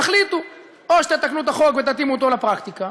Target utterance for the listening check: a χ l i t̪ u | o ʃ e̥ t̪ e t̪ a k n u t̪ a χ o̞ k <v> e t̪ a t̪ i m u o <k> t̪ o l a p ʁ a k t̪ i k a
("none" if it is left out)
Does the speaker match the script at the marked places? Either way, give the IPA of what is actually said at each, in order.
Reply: v, none

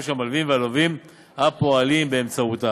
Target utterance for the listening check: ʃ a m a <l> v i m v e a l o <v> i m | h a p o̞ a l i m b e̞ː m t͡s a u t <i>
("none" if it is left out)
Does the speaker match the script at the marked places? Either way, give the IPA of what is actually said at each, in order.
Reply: l, v, a

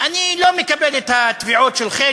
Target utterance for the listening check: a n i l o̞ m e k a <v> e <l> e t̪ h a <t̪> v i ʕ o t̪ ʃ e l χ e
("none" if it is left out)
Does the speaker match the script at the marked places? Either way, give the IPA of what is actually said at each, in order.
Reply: b, l, t̪

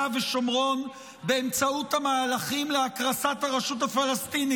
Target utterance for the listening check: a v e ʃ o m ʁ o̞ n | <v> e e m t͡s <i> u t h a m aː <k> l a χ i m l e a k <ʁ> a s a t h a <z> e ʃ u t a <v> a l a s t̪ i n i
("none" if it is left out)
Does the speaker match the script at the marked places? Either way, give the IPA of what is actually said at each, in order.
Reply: b, a, none, ʁ, ʁ, f

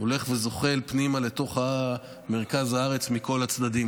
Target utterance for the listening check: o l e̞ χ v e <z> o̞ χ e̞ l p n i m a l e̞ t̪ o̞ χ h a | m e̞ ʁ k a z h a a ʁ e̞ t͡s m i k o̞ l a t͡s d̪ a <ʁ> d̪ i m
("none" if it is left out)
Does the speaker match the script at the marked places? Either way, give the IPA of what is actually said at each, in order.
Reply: z, none

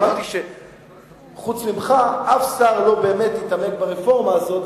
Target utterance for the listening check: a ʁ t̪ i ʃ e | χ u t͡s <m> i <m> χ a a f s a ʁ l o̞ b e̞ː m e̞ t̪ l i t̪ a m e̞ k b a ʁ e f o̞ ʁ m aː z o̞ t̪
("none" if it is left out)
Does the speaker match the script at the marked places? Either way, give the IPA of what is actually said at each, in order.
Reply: m, m

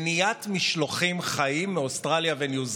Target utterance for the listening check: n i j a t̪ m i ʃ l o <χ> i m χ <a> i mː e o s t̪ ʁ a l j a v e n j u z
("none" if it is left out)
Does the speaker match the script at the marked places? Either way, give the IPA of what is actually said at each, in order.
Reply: χ, a

